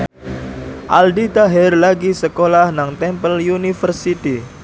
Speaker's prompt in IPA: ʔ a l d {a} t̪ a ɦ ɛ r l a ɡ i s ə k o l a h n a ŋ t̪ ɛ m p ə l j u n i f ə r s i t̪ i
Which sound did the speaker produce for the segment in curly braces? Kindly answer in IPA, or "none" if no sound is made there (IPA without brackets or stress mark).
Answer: i